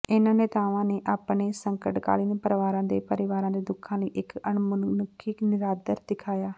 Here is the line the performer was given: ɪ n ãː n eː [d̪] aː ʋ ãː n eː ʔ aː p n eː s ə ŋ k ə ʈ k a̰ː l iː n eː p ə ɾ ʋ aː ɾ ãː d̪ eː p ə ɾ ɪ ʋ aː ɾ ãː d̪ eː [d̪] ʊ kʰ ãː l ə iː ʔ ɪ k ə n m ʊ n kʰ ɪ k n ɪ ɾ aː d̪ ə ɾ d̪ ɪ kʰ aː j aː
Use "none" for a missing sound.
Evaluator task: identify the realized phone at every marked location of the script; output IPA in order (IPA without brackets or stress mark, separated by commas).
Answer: t̪, d̪